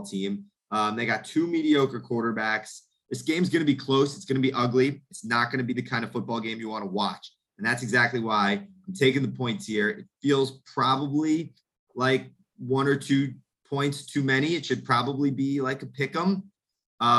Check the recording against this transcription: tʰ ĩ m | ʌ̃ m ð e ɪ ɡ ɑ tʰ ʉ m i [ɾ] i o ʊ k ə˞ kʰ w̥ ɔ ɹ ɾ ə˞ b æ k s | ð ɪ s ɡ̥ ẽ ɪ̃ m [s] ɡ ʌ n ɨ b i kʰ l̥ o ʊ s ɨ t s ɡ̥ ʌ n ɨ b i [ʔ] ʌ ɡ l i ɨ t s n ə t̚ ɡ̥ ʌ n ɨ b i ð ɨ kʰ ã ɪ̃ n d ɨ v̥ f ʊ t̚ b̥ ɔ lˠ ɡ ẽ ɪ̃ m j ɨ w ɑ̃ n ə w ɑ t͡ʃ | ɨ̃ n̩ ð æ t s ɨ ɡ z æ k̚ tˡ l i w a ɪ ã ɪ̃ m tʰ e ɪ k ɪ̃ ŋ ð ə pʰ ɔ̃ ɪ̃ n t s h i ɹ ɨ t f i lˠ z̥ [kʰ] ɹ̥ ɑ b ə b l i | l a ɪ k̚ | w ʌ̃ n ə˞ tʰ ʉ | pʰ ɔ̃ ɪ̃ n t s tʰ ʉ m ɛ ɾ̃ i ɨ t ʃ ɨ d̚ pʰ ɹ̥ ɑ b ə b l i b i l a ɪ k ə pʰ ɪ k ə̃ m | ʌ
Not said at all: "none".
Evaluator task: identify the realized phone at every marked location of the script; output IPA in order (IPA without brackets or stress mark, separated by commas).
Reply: ɾ, z, ʔ, pʰ